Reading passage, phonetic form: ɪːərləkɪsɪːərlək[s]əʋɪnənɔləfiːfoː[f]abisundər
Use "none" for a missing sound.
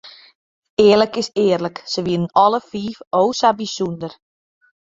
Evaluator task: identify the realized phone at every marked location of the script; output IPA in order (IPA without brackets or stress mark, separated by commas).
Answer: s, s